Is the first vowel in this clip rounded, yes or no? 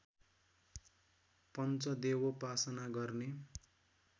no